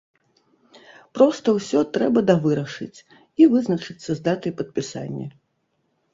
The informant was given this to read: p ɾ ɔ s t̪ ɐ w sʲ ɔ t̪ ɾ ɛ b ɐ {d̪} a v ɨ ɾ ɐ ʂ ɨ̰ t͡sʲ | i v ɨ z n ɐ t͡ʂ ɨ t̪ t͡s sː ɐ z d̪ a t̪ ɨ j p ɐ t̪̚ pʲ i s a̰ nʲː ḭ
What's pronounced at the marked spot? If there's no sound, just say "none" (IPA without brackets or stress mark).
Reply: d̪